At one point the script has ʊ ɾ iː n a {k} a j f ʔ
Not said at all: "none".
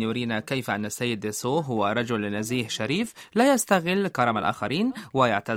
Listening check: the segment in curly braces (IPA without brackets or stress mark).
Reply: k